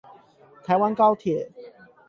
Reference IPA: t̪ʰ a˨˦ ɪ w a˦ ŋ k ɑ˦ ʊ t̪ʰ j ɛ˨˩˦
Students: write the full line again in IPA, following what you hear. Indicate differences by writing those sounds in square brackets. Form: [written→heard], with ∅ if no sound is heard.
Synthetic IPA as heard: t̪ʰ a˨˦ ɪ w a˦ [ŋ→n] k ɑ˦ ʊ t̪ʰ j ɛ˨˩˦